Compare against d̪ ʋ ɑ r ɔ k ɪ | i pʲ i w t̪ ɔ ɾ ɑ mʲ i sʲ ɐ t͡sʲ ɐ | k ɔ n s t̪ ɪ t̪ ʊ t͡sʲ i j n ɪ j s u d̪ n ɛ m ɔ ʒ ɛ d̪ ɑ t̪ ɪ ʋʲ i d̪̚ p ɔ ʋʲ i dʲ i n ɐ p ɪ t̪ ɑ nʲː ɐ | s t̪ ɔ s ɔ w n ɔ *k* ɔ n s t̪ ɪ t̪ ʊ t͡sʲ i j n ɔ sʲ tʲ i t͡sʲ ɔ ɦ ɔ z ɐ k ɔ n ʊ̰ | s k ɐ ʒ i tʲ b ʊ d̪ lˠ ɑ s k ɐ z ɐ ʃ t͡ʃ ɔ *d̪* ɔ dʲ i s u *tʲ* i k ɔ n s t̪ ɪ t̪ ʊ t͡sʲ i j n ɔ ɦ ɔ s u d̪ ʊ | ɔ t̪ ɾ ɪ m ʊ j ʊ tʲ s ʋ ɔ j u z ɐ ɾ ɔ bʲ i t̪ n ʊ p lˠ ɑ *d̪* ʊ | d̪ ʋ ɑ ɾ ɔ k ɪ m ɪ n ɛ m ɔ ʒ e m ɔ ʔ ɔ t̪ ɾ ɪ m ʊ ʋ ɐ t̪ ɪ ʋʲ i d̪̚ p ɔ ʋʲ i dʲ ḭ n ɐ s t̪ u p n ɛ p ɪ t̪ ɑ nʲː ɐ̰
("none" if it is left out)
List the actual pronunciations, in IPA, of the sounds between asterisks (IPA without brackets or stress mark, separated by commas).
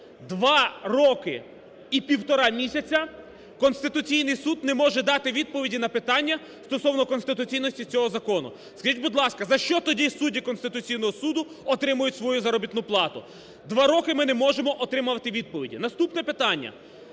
k, t̪, dʲ, t̪